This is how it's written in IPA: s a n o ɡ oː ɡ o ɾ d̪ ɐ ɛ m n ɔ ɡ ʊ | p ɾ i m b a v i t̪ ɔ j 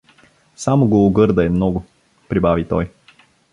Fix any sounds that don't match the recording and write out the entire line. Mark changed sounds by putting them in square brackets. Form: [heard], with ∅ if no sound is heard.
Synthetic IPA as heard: s a [m] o ɡ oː ɡ [ɤ] ɾ d̪ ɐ ɛ m n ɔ ɡ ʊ | p ɾ i [∅] b a v i t̪ ɔ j